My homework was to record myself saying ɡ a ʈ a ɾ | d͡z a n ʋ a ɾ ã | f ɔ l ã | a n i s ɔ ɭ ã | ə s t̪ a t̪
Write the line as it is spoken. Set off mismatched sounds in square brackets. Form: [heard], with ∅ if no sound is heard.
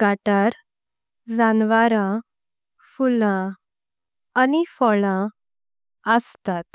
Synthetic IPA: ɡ a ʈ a ɾ | d͡z a n ʋ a ɾ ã | f [u] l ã | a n i [f] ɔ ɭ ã | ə s t̪ a t̪